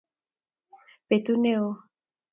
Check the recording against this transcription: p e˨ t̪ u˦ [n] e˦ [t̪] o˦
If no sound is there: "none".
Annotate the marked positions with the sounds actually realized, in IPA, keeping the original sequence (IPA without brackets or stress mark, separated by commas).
n, none